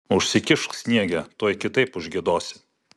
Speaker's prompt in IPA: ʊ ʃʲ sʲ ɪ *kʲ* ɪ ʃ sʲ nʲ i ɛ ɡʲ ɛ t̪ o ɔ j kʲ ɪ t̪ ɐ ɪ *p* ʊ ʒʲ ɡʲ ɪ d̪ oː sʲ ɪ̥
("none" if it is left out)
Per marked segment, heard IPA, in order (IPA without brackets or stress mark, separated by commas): kʲ, p